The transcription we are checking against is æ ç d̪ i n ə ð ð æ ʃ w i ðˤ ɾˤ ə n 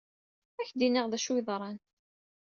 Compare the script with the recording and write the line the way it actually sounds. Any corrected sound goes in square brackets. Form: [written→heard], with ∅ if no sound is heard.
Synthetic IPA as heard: æ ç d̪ i n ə [ð→ʁ] ð æ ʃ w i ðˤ ɾˤ [ə→ɑ] n

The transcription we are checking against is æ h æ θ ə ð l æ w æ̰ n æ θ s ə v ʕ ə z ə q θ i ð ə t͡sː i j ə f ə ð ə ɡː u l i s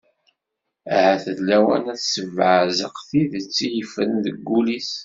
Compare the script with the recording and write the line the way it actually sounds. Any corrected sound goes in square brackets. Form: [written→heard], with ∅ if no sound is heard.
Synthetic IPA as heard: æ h æ θ ə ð l æ w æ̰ n æ θ s ə v ʕ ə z ə q θ i ð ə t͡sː i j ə f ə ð ə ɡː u l i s

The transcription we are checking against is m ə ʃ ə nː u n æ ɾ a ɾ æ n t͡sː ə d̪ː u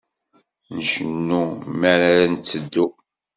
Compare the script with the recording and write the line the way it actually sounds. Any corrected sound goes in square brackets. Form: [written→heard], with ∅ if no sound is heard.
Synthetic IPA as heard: [m→n] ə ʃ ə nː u [n→m] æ ɾ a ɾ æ n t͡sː ə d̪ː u

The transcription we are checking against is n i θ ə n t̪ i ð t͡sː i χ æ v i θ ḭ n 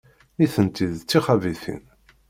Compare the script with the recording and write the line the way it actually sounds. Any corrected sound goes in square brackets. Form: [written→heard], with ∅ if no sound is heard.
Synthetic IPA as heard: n i θ ə n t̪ i ð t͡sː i χ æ v i θ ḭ n

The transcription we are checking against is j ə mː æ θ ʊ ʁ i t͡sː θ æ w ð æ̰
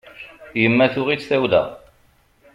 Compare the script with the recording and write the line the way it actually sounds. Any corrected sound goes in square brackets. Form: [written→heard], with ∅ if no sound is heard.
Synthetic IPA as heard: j ə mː æ θ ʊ ʁ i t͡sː θ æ w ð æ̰

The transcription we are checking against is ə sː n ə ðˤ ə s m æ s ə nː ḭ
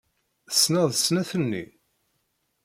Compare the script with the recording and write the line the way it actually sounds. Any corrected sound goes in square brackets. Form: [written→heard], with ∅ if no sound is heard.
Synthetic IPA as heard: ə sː n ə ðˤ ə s [m→n] æ [s→θ] ə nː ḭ

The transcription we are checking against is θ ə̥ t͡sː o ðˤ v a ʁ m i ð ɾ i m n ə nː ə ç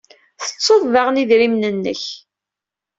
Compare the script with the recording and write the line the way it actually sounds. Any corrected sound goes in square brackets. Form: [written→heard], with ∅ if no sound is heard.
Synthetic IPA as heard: θ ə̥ t͡sː o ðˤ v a ʁ [m→n] i ð ɾ i m n ə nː ə ç

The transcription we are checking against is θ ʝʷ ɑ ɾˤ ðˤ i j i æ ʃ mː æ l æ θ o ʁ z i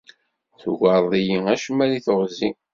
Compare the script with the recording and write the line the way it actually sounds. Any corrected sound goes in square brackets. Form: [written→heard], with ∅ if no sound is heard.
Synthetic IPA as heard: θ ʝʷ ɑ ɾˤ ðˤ i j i æ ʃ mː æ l [æ→i] θ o ʁ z i

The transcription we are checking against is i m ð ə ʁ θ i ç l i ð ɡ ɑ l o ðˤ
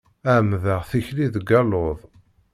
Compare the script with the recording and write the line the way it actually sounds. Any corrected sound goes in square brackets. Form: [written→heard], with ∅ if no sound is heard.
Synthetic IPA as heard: [i→æ] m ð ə ʁ θ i ç l i ð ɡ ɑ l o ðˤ

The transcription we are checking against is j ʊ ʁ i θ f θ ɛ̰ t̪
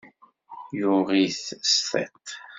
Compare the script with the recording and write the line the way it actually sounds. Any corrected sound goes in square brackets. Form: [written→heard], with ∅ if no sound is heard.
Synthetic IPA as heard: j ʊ ʁ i θ [f→s] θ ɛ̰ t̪

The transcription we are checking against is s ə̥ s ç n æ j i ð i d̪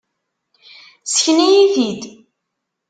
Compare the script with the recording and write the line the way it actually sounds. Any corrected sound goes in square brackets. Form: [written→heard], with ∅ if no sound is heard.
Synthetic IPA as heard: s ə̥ [s→∅] ç n [æ→i] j i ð i d̪

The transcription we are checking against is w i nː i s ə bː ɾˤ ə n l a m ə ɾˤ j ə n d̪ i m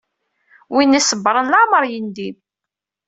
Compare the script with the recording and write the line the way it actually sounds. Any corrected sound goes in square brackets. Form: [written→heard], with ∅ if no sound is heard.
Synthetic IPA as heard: w i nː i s ə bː ɾˤ ə n l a m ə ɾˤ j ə n d̪ i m

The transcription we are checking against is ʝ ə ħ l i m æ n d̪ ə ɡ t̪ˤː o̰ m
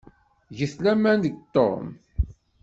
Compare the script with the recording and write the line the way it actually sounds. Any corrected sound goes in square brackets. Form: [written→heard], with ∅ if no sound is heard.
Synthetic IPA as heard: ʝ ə [ħ→θ] l [i→æ] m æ n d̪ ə ɡ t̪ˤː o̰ m

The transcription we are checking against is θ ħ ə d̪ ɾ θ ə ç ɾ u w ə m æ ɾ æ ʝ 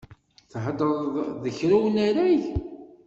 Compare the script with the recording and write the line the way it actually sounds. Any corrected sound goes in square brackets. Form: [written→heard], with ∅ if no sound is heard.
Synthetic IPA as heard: θ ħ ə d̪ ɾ [θ→ð] ə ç ɾ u w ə [m→n] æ ɾ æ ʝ

